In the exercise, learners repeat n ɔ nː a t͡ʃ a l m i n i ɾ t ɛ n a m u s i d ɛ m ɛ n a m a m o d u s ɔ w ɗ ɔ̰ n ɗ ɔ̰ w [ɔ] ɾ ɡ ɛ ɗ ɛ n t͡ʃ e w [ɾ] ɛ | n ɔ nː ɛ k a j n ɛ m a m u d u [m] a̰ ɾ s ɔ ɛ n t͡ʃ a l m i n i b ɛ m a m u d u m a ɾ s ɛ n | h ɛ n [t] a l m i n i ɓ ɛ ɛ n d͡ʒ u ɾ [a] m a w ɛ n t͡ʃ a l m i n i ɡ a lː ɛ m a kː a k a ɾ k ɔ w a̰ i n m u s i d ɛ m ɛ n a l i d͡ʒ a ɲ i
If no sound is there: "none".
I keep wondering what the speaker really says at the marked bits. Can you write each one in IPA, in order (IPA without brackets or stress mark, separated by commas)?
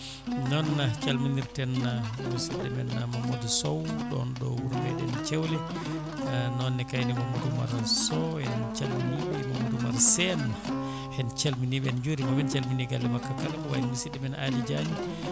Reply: u, l, m, t͡ʃ, i